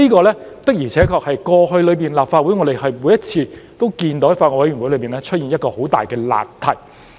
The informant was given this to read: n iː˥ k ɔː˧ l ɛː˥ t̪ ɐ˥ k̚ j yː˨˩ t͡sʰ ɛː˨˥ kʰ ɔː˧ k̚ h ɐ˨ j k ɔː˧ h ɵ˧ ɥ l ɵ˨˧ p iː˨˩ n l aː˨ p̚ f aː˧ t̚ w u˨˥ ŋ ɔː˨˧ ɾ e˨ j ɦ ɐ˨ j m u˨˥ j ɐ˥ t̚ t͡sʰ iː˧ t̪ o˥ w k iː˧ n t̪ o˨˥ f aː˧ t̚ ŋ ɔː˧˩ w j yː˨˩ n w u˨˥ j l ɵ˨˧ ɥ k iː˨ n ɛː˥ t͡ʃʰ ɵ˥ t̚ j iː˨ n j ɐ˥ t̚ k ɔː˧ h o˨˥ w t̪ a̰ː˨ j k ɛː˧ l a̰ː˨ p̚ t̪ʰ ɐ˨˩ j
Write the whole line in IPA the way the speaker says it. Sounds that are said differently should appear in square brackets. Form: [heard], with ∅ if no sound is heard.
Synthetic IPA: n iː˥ k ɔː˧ l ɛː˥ t̪ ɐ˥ k̚ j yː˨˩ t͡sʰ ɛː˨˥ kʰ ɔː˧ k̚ h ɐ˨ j k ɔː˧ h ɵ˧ ɥ l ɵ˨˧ p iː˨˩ n l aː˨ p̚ f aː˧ t̚ w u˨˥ ŋ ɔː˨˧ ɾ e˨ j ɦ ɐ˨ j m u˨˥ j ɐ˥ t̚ t͡sʰ iː˧ t̪ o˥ w k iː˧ n t̪ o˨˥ f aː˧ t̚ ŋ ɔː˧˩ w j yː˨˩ n w u˨˥ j l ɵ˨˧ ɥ [p] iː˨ n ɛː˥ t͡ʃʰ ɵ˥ t̚ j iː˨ n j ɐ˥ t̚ k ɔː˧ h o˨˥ w t̪ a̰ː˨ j k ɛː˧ l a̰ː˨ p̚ t̪ʰ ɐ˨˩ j

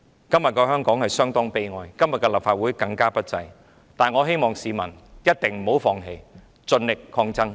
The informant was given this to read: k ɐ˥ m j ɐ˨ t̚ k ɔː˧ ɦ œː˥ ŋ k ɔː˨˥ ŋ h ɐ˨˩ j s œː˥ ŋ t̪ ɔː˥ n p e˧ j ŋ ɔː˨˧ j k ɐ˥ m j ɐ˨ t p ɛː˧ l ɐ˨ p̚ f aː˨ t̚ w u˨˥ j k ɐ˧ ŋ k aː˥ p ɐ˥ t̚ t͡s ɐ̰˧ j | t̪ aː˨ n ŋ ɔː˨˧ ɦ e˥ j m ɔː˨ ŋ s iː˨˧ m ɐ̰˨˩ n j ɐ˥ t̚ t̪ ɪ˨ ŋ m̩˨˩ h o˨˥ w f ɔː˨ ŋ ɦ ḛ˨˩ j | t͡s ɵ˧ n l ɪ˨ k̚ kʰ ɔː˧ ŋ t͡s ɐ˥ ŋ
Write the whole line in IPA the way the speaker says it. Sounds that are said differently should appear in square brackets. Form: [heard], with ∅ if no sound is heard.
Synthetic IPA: k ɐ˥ m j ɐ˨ t̚ k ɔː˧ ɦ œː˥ ŋ k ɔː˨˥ ŋ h ɐ˨˩ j s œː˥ ŋ t̪ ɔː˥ [ŋ] p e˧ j ŋ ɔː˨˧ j k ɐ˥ m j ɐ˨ t [k] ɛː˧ l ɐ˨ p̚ f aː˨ t̚ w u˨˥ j k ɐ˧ ŋ k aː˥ p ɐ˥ t̚ t͡s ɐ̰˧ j | t̪ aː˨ n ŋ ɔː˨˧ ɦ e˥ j m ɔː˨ ŋ s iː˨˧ m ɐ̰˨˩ n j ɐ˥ t̚ t̪ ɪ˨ ŋ m̩˨˩ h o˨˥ w f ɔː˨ ŋ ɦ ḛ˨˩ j | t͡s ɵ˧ n l ɪ˨ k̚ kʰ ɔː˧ ŋ t͡s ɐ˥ ŋ

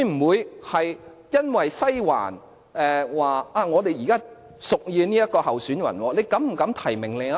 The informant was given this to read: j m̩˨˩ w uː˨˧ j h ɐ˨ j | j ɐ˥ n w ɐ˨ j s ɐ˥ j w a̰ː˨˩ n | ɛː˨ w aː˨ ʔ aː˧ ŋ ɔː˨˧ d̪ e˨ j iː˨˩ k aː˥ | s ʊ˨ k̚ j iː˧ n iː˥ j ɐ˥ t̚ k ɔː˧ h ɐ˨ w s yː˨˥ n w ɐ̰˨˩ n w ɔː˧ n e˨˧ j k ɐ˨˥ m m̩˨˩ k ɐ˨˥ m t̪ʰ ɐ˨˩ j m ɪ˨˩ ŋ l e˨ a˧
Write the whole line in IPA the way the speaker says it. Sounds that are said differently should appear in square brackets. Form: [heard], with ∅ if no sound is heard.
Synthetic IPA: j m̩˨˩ w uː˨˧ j h ɐ˨ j | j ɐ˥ n w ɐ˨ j s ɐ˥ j w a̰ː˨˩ n | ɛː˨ w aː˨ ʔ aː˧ ŋ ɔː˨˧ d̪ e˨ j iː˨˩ k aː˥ | s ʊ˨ k̚ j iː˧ n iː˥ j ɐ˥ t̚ k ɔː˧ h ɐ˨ w s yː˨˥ n w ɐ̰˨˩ n w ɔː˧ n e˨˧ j k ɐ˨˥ m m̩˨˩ k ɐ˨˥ m t̪ʰ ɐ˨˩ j m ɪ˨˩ ŋ l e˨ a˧

